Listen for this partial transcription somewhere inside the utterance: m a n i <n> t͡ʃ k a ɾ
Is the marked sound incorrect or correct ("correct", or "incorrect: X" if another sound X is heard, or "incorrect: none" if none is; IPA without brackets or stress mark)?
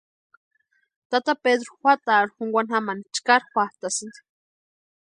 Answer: incorrect: none